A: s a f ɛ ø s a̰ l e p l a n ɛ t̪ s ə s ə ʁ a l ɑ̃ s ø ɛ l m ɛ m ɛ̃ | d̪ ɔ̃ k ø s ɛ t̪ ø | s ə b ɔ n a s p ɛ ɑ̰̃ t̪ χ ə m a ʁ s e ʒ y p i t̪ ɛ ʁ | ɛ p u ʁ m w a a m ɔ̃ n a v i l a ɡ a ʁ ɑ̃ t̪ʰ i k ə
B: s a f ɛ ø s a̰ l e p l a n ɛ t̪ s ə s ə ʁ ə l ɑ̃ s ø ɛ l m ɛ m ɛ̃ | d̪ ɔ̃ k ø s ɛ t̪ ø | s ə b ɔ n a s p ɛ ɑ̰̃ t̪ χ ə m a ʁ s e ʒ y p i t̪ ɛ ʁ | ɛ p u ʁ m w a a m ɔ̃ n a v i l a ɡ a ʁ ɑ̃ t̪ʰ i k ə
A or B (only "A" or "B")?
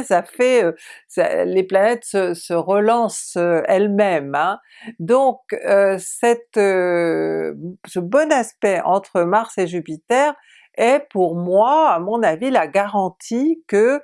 B